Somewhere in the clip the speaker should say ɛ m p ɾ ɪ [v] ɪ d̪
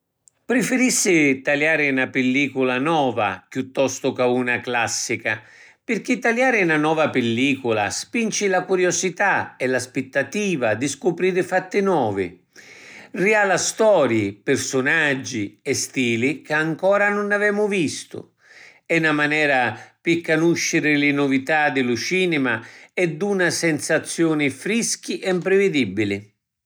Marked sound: correct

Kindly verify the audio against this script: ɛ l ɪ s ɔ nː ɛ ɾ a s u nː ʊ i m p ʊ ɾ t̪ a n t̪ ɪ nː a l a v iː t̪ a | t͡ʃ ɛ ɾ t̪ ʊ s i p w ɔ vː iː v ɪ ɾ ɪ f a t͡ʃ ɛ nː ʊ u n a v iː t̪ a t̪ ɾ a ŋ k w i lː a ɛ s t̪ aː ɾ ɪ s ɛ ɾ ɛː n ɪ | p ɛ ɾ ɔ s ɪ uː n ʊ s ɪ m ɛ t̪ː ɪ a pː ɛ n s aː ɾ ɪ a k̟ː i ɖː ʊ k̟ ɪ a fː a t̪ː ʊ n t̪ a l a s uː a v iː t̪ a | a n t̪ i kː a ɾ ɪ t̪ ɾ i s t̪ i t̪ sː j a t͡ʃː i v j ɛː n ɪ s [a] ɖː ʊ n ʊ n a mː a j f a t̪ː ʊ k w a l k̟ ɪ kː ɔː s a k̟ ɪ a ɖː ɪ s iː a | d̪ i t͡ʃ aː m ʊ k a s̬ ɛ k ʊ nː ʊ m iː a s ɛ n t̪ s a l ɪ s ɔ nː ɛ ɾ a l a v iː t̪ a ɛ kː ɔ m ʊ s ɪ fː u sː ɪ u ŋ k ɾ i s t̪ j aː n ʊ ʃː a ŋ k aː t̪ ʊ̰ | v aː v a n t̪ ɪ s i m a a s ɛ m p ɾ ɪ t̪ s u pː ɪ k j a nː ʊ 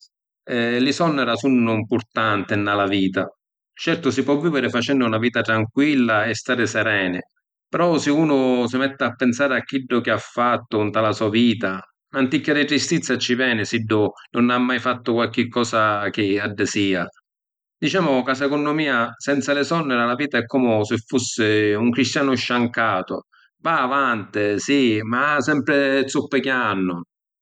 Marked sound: incorrect: i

